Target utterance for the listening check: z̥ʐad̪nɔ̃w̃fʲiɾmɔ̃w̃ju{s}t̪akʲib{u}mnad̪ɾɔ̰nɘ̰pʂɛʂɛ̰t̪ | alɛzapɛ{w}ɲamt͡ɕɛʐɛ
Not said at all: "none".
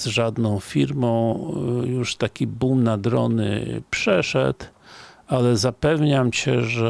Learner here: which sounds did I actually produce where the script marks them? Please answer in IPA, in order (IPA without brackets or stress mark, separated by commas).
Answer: ʂ, u, v